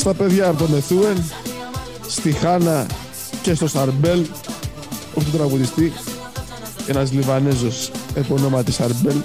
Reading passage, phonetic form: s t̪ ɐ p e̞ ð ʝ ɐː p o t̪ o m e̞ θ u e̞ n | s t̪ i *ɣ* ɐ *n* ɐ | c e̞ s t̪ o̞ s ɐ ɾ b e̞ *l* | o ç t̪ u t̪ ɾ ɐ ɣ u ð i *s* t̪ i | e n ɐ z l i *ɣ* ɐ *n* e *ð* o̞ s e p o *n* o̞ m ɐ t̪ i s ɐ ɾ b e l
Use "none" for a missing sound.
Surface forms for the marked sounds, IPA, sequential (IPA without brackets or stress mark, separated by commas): x, n, l, s, v, n, z, n